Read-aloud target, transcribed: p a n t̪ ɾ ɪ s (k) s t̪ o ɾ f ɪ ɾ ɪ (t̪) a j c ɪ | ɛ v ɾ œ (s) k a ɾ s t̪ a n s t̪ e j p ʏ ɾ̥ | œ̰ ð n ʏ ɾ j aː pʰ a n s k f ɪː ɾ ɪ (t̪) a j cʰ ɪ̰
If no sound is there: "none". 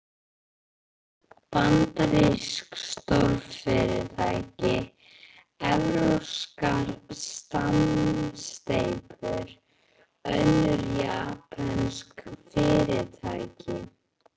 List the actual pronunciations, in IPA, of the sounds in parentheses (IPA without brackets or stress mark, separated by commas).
k, t̪ʰ, s, t̪ʰ